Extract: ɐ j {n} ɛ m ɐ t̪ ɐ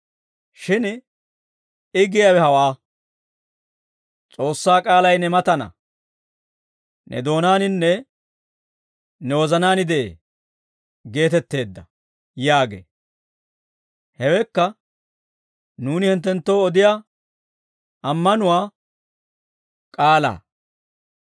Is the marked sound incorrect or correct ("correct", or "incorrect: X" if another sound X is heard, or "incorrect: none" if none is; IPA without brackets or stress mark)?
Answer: correct